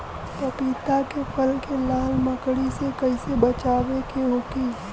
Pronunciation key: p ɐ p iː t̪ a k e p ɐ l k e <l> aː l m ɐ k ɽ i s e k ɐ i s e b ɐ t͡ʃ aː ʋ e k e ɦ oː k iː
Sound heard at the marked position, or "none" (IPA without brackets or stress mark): l